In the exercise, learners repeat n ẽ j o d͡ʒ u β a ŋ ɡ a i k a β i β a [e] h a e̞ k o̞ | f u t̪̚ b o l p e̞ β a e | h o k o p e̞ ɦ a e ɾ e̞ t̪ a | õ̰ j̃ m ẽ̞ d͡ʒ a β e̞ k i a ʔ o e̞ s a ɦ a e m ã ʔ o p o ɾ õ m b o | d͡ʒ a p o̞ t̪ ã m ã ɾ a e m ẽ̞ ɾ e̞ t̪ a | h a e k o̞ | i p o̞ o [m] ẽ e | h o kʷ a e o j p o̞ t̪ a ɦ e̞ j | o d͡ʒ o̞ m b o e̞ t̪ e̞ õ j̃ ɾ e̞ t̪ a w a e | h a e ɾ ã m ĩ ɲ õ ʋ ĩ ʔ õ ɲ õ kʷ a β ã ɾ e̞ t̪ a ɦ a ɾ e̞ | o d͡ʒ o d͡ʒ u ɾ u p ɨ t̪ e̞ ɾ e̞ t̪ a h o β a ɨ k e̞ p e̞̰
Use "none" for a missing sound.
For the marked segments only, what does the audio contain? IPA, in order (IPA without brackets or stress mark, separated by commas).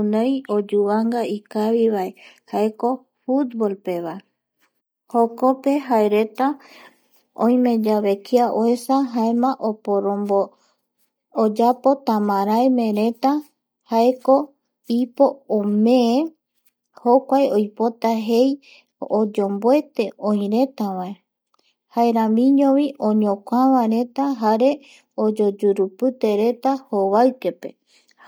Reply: e, m